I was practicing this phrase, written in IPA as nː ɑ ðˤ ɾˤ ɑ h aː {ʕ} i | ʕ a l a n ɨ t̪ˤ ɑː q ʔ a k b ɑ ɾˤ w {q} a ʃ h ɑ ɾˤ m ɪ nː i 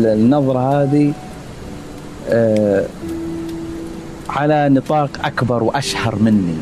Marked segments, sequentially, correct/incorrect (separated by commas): incorrect, incorrect